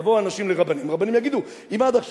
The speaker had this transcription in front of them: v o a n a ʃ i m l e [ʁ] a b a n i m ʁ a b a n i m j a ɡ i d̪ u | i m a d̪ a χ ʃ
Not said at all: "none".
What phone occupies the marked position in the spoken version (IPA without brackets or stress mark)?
ʁ